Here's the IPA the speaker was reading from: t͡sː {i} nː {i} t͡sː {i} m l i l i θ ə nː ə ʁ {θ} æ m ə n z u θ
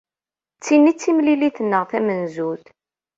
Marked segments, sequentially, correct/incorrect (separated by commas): correct, correct, correct, correct